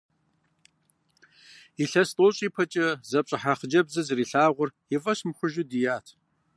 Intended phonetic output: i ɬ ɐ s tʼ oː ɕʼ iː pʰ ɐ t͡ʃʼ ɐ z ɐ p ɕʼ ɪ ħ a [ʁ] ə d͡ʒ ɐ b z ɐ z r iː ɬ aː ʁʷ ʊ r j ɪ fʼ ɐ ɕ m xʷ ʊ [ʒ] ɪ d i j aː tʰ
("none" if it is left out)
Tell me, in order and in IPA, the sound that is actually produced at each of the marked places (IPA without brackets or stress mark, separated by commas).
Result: χ, ʒ